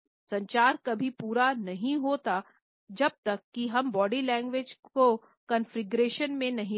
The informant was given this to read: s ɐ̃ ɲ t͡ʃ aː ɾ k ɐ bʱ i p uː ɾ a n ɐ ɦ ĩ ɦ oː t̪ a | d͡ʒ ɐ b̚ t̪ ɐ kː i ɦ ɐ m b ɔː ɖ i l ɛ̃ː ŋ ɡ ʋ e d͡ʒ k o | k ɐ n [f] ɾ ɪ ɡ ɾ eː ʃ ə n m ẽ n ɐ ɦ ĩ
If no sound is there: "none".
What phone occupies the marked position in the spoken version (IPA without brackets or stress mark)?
f